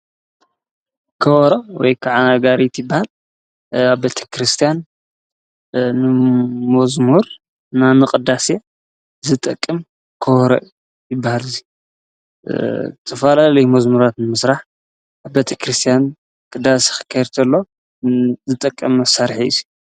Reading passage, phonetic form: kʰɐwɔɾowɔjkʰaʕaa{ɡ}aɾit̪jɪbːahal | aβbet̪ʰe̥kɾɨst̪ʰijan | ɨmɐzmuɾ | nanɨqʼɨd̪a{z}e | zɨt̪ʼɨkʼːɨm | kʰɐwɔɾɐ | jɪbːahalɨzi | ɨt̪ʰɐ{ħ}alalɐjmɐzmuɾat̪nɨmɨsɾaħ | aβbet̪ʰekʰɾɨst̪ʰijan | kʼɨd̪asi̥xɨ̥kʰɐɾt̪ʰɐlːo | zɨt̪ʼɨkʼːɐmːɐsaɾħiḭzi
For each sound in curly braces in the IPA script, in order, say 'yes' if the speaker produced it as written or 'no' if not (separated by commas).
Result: yes, no, no